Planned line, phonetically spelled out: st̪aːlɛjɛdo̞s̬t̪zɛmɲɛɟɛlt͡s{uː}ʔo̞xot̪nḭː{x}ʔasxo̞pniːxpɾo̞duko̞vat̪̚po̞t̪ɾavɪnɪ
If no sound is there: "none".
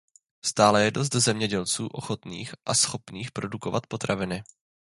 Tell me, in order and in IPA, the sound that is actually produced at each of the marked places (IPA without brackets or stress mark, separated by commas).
uː, x